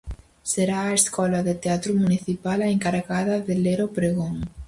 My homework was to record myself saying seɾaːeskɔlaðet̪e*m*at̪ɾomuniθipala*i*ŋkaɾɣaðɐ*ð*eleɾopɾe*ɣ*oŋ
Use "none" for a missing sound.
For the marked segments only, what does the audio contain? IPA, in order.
none, e, ð, ɣ

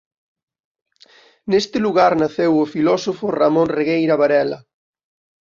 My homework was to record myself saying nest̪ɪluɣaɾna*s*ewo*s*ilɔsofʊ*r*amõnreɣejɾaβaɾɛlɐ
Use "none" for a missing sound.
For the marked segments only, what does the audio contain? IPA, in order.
θ, f, r

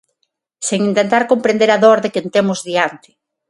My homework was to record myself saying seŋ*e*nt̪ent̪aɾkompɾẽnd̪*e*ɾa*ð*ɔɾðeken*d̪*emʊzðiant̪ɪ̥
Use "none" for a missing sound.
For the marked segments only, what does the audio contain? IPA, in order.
i, e, ð, t̪

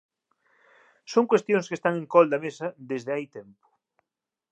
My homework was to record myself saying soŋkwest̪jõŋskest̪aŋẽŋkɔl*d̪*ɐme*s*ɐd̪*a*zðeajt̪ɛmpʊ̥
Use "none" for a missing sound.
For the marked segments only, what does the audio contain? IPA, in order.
d̪, s, e

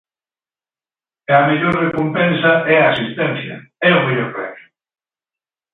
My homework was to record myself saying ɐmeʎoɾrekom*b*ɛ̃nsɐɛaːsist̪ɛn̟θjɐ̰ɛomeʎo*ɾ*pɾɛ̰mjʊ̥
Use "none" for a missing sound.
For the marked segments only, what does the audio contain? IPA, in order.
p, ɾ

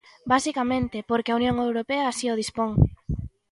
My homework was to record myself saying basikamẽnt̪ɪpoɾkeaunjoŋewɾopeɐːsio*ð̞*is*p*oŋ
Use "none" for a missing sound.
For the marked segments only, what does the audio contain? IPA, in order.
ð̞, p

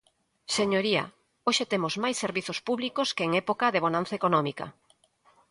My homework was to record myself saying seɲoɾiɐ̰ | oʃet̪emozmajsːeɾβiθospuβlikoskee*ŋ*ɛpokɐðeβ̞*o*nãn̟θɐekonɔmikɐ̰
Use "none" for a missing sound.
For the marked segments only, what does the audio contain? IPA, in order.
ŋ, o

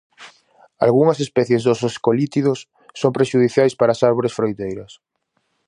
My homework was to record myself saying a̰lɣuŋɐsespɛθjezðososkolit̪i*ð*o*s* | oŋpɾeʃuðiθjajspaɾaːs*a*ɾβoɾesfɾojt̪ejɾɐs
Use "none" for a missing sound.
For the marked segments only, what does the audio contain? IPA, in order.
ð, sː, a

